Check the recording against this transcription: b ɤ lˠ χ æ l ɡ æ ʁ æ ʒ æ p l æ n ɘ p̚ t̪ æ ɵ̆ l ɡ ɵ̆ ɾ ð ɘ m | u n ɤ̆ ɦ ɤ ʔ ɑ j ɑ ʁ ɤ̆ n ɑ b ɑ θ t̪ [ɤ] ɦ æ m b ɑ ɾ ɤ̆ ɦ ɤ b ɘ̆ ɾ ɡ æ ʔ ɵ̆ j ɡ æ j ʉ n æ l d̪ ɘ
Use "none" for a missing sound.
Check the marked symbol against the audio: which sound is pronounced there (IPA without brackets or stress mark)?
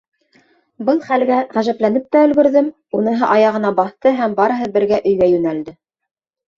ɤ